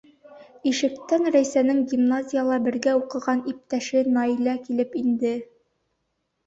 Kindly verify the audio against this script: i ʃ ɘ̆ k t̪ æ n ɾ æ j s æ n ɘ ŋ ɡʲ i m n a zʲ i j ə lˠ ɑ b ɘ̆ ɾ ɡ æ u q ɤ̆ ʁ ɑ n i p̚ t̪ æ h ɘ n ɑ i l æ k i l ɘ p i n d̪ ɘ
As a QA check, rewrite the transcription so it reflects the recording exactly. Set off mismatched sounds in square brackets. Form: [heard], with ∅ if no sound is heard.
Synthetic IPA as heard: i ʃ ɘ̆ k t̪ æ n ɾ æ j s æ n ɘ ŋ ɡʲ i m n a zʲ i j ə lˠ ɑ b ɘ̆ ɾ ɡ æ u q ɤ̆ ʁ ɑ n i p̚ t̪ æ [ʃ] ɘ n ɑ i l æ k i l ɘ p i n d̪ ɘ